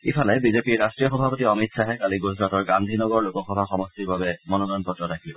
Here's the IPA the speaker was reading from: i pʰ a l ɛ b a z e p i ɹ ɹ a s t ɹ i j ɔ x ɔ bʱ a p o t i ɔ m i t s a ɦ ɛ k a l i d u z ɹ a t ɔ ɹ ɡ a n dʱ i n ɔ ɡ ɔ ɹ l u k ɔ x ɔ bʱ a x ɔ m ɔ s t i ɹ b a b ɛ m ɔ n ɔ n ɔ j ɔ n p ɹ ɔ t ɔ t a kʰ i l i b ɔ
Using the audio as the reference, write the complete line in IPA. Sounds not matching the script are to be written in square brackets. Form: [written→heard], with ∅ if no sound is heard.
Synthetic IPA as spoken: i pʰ a l ɛ b [a→i] z e p i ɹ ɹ a s t ɹ i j ɔ x ɔ bʱ a p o t i ɔ m i t s a ɦ ɛ k a l i [d→ɡ] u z ɹ a t ɔ ɹ ɡ a n dʱ i n ɔ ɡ ɔ ɹ l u k ɔ x ɔ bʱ a x ɔ m ɔ s t i ɹ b a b ɛ m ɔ n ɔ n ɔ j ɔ n p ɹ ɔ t ɔ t a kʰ i l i b ɔ